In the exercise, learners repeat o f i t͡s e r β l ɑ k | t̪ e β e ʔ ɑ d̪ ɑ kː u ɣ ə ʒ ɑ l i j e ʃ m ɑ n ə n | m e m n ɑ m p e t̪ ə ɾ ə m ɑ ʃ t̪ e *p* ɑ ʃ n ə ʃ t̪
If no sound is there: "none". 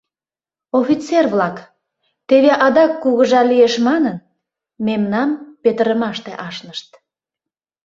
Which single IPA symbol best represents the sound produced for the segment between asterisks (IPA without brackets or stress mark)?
ʔ